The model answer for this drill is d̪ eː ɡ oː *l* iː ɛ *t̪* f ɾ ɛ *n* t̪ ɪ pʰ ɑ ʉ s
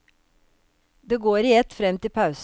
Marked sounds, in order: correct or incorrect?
incorrect: ɾ, correct, incorrect: m

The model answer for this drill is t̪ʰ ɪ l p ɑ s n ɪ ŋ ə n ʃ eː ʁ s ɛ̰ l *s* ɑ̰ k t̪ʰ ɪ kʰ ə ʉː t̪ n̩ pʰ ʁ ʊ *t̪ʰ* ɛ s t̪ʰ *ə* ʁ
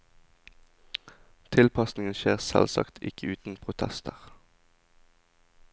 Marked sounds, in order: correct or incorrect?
correct, correct, correct

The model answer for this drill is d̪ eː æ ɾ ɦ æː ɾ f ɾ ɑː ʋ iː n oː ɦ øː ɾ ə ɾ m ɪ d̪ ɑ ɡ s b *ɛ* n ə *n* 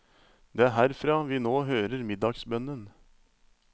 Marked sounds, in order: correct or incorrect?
incorrect: œ, correct

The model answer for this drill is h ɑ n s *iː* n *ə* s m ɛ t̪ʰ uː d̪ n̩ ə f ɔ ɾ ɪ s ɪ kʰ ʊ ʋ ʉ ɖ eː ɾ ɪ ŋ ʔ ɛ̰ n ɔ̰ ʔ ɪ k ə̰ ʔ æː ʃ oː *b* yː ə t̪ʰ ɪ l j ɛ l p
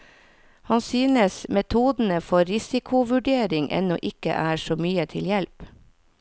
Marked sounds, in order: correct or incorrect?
incorrect: yː, correct, incorrect: m

